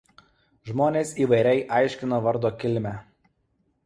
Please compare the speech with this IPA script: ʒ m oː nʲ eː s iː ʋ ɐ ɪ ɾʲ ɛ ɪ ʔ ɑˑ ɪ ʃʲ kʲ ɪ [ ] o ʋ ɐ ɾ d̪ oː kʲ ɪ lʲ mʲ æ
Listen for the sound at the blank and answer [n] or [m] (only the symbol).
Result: n